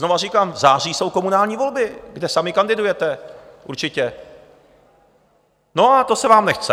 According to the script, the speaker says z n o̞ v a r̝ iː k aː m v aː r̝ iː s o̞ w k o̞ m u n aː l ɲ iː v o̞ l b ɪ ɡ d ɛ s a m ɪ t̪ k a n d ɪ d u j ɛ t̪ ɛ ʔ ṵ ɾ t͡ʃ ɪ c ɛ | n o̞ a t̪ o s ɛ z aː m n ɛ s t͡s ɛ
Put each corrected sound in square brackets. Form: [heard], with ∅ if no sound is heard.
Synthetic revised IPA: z n o̞ v a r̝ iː k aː m [z] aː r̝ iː s o̞ w k o̞ m u n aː l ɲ iː v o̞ l b ɪ ɡ d ɛ s a m ɪ [∅] k a n d ɪ d u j ɛ t̪ ɛ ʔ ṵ ɾ t͡ʃ ɪ c ɛ | n o̞ a t̪ o s ɛ [v] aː m n ɛ [x] t͡s ɛ

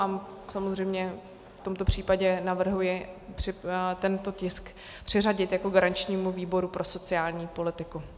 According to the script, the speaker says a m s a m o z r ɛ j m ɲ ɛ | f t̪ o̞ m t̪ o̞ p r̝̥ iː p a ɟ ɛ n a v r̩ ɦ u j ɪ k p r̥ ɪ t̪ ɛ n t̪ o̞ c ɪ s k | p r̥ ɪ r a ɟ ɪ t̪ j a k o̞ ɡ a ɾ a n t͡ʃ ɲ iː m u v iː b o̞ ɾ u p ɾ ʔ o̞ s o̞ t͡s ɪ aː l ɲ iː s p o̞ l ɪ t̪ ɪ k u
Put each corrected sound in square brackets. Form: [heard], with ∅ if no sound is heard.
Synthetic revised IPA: a m s a m o z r ɛ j m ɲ ɛ | f t̪ o̞ m t̪ o̞ p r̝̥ iː p a ɟ ɛ n a v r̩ ɦ u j ɪ [∅] p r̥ ɪ t̪ ɛ n t̪ o̞ c ɪ s k | p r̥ ɪ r a ɟ ɪ t̪ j a k o̞ ɡ a ɾ a n t͡ʃ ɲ iː m u v iː b o̞ ɾ u p ɾ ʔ o̞ s o̞ t͡s ɪ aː l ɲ iː [∅] p o̞ l ɪ t̪ ɪ k u

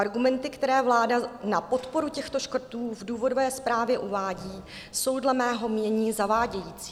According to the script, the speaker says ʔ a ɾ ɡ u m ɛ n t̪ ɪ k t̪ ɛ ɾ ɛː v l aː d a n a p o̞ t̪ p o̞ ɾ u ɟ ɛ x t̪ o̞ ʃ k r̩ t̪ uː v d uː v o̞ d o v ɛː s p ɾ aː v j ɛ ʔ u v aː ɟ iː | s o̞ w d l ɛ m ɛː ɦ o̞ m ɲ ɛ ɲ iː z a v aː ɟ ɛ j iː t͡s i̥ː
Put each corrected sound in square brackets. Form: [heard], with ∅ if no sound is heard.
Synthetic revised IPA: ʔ a ɾ ɡ u m ɛ n t̪ ɪ k t̪ ɛ ɾ ɛː v l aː d a n a p o̞ t̪ p o̞ ɾ u [c] ɛ x t̪ o̞ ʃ k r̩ t̪ uː v d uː v o̞ d o v ɛː s p ɾ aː v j ɛ ʔ u v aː ɟ iː | s o̞ w d l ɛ m ɛː ɦ o̞ m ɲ ɛ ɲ iː z a v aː ɟ ɛ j iː t͡s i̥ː

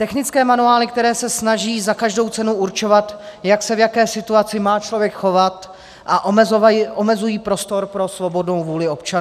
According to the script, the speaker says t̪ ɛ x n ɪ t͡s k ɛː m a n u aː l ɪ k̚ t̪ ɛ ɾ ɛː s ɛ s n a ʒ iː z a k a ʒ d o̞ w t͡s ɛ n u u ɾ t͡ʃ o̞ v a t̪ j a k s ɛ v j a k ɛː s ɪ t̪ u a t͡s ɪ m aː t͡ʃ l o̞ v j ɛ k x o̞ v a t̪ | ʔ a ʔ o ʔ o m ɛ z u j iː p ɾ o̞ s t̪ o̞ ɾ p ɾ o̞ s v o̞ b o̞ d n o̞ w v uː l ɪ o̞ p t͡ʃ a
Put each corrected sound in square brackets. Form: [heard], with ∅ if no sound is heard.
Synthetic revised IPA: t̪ ɛ x n ɪ t͡s k ɛː m a n u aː l ɪ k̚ t̪ ɛ ɾ ɛː s ɛ s n a ʒ iː z a k a ʒ d o̞ w t͡s ɛ n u u ɾ t͡ʃ o̞ v a t̪ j a k s ɛ v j a k ɛː s ɪ t̪ u a t͡s ɪ m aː t͡ʃ l o̞ v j ɛ k x o̞ v a t̪ | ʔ a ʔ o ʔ o m ɛ z u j iː p ɾ o̞ s t̪ o̞ ɾ p ɾ o̞ s v o̞ b o̞ d n o̞ w v uː l ɪ o̞ p t͡ʃ a

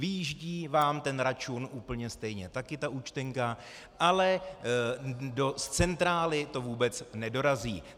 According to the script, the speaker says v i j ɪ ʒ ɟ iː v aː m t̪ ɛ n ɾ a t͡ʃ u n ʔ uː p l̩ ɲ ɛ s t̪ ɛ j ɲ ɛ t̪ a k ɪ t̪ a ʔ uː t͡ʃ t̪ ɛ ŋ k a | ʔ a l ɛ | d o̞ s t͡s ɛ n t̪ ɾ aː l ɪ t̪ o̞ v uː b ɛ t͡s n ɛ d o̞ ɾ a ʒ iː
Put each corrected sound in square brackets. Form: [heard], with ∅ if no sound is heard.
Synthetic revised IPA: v [ɪ] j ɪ ʒ ɟ iː v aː m t̪ ɛ n ɾ a t͡ʃ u n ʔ uː p l̩ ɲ ɛ s t̪ ɛ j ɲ ɛ t̪ a k ɪ t̪ a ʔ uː t͡ʃ t̪ ɛ ŋ k a | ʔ a l ɛ | d o̞ s t͡s ɛ n t̪ ɾ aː l ɪ t̪ o̞ v uː b ɛ t͡s n ɛ d o̞ ɾ a [z] iː

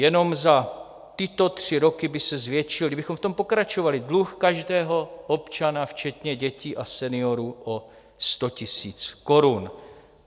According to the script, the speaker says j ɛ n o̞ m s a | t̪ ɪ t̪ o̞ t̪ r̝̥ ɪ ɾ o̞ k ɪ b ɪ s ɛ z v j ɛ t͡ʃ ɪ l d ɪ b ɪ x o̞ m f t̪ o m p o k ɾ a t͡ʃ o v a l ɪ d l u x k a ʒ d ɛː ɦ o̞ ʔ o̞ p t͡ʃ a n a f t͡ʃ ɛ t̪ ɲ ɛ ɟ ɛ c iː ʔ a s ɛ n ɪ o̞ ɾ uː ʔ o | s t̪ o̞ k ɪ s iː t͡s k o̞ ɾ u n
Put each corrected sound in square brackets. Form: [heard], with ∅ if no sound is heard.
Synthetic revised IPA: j ɛ n o̞ m [z] a | t̪ ɪ t̪ o̞ t̪ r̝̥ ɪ ɾ o̞ k ɪ b ɪ s ɛ z v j ɛ t͡ʃ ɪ l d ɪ b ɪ x o̞ m f t̪ o m p o k ɾ a t͡ʃ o v a l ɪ d l u x k a ʒ d ɛː ɦ o̞ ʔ o̞ p t͡ʃ a n a f t͡ʃ ɛ t̪ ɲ ɛ ɟ ɛ c iː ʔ a s ɛ n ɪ o̞ ɾ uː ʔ o | s t̪ o̞ [c] ɪ s iː t͡s k o̞ ɾ u n

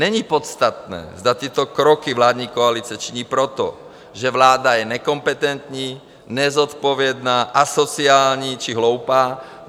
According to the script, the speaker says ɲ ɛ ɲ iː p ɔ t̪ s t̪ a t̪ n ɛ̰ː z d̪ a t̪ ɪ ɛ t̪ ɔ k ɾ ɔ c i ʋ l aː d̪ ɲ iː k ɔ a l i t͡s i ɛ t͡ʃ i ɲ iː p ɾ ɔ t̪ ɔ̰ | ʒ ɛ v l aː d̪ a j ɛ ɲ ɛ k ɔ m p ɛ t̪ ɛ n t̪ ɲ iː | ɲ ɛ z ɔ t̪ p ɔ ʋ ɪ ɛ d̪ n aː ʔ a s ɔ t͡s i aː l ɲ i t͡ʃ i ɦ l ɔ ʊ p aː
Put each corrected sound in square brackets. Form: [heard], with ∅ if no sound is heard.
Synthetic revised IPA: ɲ ɛ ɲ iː p ɔ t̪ s t̪ a t̪ n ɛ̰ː z d̪ a t̪ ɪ ɛ t̪ ɔ k ɾ ɔ [k] i ʋ l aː d̪ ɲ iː k ɔ a l i t͡s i ɛ t͡ʃ i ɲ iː p ɾ ɔ t̪ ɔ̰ | ʒ ɛ [ʋ] l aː d̪ a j ɛ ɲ ɛ k ɔ m p ɛ t̪ ɛ n t̪ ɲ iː | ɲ ɛ z ɔ t̪ p ɔ ʋ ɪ ɛ d̪ n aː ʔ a s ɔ t͡s i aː l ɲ i t͡ʃ i ɦ l ɔ ʊ p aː

